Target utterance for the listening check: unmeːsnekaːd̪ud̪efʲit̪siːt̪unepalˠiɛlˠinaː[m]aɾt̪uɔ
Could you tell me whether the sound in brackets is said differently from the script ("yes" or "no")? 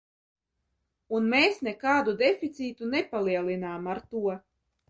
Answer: no